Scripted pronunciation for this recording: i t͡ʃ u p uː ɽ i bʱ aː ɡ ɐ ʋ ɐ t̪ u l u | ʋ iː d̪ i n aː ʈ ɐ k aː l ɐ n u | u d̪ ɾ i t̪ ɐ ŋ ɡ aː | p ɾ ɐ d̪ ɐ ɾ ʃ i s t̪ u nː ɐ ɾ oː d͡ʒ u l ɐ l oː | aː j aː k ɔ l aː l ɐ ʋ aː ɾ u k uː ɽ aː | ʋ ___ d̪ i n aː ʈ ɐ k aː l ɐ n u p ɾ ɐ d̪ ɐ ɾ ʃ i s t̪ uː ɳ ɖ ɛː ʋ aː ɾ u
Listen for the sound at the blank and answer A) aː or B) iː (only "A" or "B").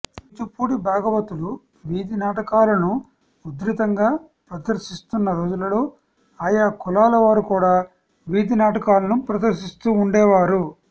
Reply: B